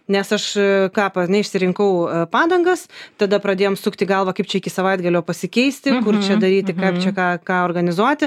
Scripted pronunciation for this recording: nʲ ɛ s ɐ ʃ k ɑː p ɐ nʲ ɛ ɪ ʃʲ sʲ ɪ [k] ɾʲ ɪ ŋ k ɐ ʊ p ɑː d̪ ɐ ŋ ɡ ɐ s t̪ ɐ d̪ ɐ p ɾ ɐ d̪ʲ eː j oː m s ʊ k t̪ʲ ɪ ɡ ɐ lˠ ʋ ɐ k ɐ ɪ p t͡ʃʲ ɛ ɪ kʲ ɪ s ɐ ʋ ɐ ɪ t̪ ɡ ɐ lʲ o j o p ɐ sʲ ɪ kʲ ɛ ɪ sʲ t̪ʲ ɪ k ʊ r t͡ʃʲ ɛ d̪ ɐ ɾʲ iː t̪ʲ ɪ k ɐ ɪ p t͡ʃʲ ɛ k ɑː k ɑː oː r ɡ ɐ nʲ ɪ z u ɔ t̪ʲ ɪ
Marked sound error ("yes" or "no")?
yes